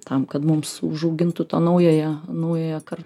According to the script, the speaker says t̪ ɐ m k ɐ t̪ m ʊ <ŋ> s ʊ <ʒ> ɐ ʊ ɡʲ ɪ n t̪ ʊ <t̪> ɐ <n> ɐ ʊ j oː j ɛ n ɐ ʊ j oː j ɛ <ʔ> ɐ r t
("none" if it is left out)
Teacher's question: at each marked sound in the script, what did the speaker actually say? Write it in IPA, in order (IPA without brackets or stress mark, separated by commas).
m, ʒ, t̪, n, k